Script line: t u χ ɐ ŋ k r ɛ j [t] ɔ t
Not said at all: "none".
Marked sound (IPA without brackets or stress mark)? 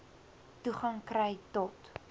t